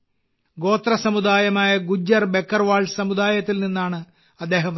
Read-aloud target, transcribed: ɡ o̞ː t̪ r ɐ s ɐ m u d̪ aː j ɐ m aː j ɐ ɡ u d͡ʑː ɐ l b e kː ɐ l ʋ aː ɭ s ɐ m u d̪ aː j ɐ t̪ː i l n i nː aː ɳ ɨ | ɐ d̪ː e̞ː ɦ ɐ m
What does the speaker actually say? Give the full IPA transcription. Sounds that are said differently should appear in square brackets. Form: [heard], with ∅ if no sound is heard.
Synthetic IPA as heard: ɡ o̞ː t̪ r ɐ s ɐ m u d̪ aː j ɐ m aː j ɐ ɡ u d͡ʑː ɐ [r] b e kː ɐ [r] ʋ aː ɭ s ɐ m u d̪ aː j ɐ t̪ː i l n i nː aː ɳ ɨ | ɐ d̪ː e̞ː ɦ ɐ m